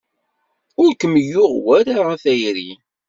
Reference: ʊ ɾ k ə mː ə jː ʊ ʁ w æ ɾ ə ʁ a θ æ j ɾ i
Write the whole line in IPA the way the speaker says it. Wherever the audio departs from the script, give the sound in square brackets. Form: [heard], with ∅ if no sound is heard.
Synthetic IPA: ʊ ɾ k ə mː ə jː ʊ ʁ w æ ɾ [a] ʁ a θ æ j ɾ i